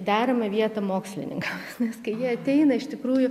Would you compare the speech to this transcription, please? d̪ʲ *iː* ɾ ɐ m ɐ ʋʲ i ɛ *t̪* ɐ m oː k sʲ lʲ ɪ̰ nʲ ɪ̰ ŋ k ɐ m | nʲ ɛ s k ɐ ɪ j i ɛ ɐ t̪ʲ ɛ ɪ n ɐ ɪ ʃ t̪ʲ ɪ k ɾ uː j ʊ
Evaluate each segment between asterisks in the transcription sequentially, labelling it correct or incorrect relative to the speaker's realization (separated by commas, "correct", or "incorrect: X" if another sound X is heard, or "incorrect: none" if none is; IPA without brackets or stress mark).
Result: incorrect: æː, correct